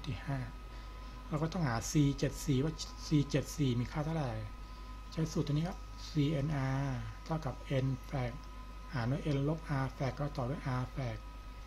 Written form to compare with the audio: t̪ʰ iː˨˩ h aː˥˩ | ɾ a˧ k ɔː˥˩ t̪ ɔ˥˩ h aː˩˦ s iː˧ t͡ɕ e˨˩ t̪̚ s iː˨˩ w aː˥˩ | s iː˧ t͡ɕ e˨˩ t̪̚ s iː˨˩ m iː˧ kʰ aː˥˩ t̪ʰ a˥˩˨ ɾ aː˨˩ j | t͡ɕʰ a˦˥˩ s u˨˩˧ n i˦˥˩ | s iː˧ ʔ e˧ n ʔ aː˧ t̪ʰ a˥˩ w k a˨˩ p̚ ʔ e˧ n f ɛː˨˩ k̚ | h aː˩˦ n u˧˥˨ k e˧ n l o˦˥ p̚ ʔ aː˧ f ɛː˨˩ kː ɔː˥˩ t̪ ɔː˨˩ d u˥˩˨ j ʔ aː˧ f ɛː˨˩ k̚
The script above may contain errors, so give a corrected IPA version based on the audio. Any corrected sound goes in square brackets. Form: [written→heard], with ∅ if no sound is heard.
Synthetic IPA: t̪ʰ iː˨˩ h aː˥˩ | ɾ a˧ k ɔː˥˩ t̪ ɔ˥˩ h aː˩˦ s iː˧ t͡ɕ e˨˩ t̪̚ s iː˨˩ w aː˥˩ | s iː˧ t͡ɕ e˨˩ t̪̚ s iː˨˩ m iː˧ kʰ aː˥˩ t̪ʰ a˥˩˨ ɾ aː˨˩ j | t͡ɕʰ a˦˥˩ s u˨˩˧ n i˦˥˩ | s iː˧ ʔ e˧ n ʔ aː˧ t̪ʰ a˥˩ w k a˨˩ p̚ ʔ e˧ n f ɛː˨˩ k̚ | h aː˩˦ n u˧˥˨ [k→ʔ] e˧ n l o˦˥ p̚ ʔ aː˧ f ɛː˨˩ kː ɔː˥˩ t̪ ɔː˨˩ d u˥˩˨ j ʔ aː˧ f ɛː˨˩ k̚